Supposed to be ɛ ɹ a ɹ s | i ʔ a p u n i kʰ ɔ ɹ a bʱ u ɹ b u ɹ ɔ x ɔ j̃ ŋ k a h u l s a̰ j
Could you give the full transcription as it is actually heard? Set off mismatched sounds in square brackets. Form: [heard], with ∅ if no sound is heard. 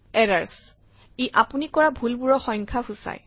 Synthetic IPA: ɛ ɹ a ɹ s | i ʔ a p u n i [k] ɔ ɹ a bʱ u [l] b u ɹ ɔ x ɔ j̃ ŋ [kʰ] a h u [∅] s a̰ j